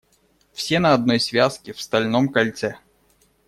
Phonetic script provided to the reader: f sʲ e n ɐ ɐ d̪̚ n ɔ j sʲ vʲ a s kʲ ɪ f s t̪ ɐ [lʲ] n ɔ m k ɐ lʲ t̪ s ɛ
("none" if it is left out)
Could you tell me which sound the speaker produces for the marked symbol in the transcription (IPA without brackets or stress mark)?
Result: lʲ